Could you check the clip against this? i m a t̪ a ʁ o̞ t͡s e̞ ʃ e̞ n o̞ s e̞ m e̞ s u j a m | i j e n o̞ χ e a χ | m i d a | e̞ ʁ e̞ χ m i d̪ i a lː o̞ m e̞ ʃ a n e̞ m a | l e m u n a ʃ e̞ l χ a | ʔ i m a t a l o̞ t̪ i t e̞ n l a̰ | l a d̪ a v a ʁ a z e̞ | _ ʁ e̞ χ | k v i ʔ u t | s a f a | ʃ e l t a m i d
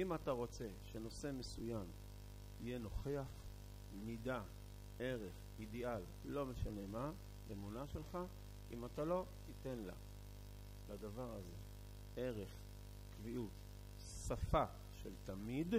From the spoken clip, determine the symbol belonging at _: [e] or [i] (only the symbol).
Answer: e